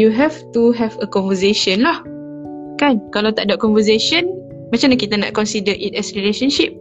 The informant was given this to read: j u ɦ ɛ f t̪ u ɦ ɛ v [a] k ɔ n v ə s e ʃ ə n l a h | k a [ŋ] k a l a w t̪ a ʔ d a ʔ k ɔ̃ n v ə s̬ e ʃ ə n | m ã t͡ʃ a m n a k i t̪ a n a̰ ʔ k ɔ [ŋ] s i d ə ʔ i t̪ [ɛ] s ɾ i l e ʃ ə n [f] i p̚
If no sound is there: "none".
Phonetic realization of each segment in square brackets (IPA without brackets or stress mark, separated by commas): ə, n, n, ɛ, ʃ